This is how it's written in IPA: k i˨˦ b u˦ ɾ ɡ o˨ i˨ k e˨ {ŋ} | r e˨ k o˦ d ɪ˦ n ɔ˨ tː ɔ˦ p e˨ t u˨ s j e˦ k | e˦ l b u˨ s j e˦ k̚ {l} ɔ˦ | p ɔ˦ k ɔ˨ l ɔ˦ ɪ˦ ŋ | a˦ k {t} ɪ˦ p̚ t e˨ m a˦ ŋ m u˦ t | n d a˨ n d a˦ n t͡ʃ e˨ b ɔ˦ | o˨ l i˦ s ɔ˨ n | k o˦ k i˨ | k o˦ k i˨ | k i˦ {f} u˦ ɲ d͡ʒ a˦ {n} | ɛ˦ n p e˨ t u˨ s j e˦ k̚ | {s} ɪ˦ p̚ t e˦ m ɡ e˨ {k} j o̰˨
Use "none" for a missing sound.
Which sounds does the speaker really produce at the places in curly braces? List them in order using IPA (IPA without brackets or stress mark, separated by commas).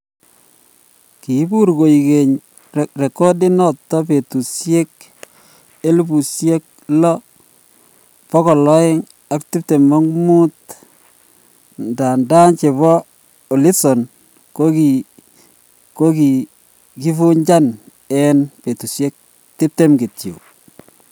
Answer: ɲ, l, t, f, n, t, t